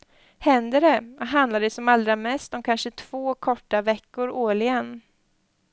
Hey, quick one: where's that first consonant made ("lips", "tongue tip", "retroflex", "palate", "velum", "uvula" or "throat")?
throat